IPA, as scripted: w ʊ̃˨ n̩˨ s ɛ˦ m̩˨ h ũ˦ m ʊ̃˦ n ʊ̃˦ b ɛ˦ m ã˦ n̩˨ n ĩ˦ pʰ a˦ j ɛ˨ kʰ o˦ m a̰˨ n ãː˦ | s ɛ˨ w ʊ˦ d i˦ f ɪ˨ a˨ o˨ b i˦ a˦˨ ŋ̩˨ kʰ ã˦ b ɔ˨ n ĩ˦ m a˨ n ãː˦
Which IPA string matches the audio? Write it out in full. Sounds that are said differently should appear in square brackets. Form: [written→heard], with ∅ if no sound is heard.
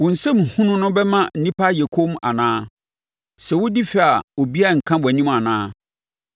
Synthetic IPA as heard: w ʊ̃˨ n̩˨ s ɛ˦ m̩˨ h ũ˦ [m→n] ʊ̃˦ n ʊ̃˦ b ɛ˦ m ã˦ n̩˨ n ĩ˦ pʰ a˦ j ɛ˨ kʰ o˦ m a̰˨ n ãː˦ | s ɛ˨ w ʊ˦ d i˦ f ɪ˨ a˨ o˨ b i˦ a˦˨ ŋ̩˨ kʰ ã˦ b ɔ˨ n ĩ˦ m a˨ n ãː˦